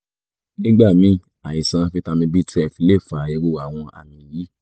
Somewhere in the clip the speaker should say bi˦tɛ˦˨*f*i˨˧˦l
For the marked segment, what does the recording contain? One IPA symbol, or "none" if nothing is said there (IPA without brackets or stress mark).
f